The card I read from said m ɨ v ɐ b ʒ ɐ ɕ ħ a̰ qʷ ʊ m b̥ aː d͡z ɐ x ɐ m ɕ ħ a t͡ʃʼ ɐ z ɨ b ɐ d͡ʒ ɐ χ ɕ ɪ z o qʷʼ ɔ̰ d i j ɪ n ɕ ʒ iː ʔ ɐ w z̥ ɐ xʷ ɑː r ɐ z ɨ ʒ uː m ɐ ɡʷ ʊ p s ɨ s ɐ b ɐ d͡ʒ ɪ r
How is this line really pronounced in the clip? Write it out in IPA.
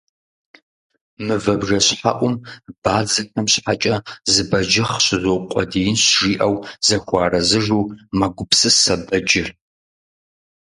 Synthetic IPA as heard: m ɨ v ɐ b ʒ ɐ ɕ ħ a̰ ʔʷ ʊ m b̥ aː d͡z ɐ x ɐ m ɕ ħ a t͡ʃʼ ɐ z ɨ b ɐ d͡ʒ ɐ χ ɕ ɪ z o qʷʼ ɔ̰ d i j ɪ n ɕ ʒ iː ʔ ɐ w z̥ ɐ xʷ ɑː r ɐ z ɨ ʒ uː m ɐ ɡʷ ʊ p s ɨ s ɐ b ɐ d͡ʒ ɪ r